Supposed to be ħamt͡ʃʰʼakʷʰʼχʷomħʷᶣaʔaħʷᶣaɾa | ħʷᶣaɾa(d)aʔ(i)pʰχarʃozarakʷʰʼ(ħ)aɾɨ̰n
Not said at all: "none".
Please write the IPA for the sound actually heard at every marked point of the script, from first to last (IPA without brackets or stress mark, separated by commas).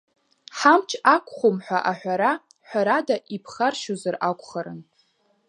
d, i, χ